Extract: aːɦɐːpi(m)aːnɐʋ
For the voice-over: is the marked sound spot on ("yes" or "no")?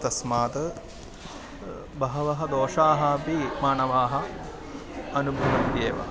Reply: yes